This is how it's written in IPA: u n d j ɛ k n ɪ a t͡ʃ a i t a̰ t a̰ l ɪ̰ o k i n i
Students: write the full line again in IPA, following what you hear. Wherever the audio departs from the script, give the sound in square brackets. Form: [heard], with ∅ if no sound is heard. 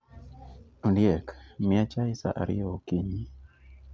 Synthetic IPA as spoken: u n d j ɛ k [m] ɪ a t͡ʃ a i [s] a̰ [ʔ] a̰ [ɾ] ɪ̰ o k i [ɲ] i